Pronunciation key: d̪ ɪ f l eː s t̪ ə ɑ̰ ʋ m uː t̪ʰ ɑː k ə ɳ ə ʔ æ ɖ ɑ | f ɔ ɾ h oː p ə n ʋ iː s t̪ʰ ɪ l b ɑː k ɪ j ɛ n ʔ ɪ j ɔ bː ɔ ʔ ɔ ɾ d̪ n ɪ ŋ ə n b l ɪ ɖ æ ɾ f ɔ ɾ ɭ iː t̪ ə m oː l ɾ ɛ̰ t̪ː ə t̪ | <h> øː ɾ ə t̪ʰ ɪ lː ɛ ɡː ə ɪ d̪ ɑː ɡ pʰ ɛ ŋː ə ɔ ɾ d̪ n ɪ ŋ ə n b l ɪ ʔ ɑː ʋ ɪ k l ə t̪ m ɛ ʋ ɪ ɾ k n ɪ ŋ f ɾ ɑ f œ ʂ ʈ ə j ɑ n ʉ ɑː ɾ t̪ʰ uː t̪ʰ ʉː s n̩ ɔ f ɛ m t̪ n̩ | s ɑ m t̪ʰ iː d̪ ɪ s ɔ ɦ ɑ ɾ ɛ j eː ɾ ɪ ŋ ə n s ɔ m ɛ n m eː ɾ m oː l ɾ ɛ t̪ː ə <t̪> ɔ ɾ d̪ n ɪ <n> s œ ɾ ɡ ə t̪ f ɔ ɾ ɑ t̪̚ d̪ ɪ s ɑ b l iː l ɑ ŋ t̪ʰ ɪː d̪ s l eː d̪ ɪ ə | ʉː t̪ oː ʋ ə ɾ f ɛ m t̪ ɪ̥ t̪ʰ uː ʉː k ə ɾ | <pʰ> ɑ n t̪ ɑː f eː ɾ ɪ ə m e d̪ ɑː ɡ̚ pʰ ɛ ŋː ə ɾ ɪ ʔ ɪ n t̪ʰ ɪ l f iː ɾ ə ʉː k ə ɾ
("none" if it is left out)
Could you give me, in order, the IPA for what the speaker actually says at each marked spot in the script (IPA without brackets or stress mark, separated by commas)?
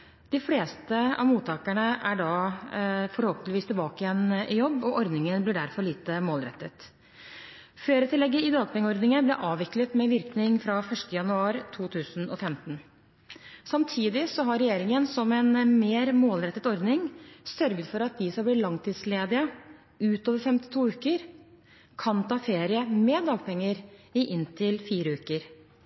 f, t̪, ŋ, kʰ